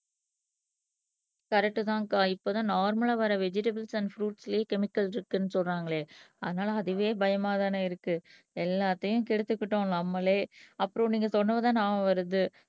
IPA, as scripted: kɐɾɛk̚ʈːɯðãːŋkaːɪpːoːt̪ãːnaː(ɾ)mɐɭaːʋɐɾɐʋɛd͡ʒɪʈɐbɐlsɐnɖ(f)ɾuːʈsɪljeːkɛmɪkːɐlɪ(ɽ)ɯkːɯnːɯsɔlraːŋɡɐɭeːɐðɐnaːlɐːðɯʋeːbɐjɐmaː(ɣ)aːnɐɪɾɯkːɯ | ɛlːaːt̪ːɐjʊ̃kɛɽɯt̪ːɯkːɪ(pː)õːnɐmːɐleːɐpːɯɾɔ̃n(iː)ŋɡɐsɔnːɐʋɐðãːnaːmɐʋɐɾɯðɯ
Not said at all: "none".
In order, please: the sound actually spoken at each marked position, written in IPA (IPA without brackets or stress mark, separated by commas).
ɾ, f, ɾ, ð, ʈː, iː